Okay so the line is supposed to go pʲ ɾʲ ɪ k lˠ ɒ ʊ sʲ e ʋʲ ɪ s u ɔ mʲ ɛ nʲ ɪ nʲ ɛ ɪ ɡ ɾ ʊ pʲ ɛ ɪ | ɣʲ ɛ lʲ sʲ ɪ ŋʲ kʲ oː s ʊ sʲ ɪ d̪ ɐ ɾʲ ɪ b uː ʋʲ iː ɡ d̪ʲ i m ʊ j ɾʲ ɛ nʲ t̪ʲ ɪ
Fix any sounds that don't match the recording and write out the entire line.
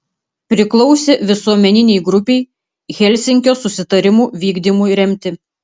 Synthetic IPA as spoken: pʲ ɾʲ ɪ k lˠ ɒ ʊ sʲ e ʋʲ ɪ s u ɔ mʲ ɛ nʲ ɪ nʲ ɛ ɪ ɡ ɾ ʊ pʲ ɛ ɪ | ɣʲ ɛ lʲ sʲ ɪ ŋʲ kʲ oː s ʊ sʲ ɪ t̪ ɐ ɾʲ ɪ m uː ʋʲ iː ɡ d̪ʲ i m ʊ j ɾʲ ɛ mʲ t̪ʲ ɪ

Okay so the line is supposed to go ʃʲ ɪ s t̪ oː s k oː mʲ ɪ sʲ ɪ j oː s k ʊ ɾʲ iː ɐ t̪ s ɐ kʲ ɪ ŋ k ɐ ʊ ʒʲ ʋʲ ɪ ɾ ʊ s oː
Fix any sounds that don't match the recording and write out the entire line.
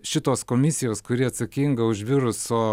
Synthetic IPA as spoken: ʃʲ ɪ t̪ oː s k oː mʲ ɪ sʲ ɪ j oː s k ʊ ɾʲ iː ɐ t̪ s ɐ kʲ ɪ ŋ ɡ ɐ ʊ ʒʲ ʋʲ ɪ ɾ ʊ s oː

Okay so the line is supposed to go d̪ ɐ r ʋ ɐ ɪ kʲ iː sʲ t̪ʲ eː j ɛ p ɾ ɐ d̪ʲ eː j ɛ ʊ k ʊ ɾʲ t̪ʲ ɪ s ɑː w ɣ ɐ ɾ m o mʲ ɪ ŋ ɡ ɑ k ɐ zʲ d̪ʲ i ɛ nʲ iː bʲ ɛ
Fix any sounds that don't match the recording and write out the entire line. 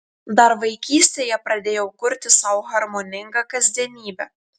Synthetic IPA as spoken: d̪ ɐ ɾ ʋ ɐ ɪ kʲ iː sʲ t̪ʲ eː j ɛ p ɾ ɐ d̪ʲ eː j ɛ ʊ k ʊ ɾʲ t̪ʲ ɪ s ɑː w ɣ ɐ ɾ m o nʲ ɪ ŋ ɡ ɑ k ɐ zʲ d̪ʲ i ɛ nʲ iː bʲ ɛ

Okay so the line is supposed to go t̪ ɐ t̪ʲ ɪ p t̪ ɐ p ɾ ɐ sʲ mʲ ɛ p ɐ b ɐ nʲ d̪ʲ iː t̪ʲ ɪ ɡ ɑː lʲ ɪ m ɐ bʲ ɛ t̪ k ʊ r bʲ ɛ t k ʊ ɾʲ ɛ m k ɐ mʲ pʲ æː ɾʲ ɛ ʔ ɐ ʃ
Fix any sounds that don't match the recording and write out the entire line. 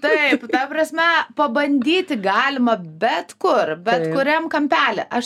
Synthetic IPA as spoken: t̪ ɐ ɪ p t̪ ɐ p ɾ ɐ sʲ mʲ ɛ p ɐ b ɐ nʲ d̪ʲ iː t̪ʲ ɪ ɡ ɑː lʲ ɪ m ɐ bʲ ɛ t̪ k ʊ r bʲ ɛ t k ʊ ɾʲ ɛ m k ɐ mʲ pʲ æː lʲ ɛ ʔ ɐ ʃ

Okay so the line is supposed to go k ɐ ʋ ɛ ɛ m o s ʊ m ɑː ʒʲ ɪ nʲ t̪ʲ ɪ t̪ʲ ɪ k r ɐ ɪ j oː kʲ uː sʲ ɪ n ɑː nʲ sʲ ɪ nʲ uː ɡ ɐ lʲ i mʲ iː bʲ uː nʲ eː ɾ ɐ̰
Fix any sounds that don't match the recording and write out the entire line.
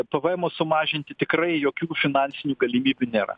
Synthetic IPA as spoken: p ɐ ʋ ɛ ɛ m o s ʊ m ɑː ʒʲ ɪ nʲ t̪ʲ ɪ t̪ʲ ɪ k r ɐ ɪ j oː kʲ uː fʲ ɪ n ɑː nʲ sʲ ɪ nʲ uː ɡ ɐ lʲ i mʲ iː bʲ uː nʲ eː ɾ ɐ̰

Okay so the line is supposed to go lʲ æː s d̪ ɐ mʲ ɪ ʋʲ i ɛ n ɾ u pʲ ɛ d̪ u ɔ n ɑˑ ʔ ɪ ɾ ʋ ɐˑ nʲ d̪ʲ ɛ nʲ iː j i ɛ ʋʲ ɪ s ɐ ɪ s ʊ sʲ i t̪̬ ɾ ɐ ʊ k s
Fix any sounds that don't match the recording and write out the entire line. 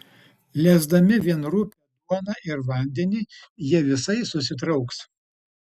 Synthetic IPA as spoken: lʲ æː z d̪ ɐ mʲ ɪ ʋʲ i ɛ n ɾ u pʲ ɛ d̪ u ɔ n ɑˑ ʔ ɪ ɾ ʋ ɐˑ nʲ d̪ʲ ɛ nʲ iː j i ɛ ʋʲ ɪ s ɐ ɪ s ʊ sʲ ɪ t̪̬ ɾ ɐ ʊ k s

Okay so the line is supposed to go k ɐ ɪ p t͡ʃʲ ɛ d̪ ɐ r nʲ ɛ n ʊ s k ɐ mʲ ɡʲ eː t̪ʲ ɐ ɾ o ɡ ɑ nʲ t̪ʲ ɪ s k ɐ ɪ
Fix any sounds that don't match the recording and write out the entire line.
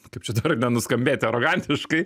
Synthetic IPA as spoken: k ɐ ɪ p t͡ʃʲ ɛ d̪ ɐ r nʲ ɛ n ʊ s k ɐ mʲ bʲ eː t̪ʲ ɐ ɾ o ɡ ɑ nʲ t̪ʲ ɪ ʃ k ɐ ɪ

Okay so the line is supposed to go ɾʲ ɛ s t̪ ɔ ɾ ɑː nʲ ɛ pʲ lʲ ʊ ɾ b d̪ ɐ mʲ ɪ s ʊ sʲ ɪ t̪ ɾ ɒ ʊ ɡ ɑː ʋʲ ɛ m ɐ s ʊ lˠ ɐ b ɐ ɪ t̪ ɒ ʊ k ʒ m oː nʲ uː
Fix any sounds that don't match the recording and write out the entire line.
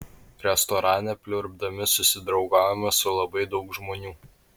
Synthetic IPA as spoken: ɾʲ ɛ s t̪ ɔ ɾ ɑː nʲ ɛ pʲ lʲ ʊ ɾ b d̪ ɐ mʲ ɪ s ʊ sʲ ɪ d̪ ɾ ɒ ʊ ɡ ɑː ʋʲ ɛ m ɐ s ʊ lˠ ɐ b ɐ ɪ d̪ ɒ ʊ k ʒ m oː nʲ uː

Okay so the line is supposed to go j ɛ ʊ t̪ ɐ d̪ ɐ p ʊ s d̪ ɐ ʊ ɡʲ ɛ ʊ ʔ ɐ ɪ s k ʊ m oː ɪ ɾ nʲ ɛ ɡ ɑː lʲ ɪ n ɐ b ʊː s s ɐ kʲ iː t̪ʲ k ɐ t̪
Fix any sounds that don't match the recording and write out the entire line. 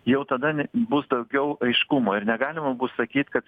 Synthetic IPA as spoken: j ɛ ʊ t̪ ɐ d̪ ɐ b ʊ s d̪ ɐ ʊ ɡʲ ɛ ʊ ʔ ɐ ɪ ʃ k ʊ m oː ɪ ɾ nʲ ɛ ɡ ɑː lʲ ɪ m ɐ b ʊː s s ɐ kʲ iː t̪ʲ k ɐ t̪

